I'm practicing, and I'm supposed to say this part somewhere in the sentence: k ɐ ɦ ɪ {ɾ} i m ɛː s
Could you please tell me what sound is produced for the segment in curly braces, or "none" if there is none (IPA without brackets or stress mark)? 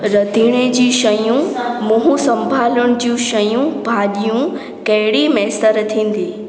ɽ